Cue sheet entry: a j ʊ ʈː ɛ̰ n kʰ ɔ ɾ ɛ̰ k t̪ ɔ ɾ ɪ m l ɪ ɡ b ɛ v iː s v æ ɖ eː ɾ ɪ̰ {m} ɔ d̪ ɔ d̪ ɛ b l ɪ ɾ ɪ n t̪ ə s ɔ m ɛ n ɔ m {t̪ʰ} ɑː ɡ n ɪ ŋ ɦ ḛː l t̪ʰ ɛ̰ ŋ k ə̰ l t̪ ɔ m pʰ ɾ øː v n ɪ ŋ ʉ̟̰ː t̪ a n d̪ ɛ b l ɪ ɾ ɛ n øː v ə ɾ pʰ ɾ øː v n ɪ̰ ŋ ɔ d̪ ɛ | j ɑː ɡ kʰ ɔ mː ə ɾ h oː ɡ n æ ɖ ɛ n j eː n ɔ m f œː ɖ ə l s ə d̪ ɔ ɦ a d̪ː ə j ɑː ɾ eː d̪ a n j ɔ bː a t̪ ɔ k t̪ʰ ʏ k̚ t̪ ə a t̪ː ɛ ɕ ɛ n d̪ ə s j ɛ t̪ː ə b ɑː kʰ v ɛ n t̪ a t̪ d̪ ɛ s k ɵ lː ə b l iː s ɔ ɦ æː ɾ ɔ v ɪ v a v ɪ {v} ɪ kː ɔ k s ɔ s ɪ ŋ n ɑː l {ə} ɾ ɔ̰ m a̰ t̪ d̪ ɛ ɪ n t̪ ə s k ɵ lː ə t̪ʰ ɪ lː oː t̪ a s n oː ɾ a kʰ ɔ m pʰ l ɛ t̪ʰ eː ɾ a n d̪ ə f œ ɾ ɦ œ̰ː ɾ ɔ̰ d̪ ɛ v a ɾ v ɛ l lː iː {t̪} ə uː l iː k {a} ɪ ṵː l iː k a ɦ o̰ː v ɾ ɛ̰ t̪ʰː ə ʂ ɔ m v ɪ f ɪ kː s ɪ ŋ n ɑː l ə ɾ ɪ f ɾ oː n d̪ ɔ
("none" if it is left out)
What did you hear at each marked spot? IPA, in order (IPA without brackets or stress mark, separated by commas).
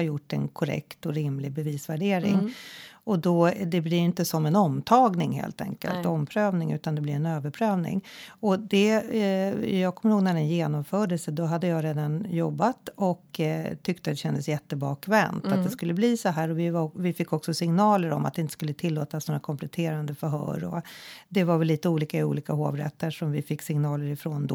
ŋ, t̪ʰ, f, ə, t̪, a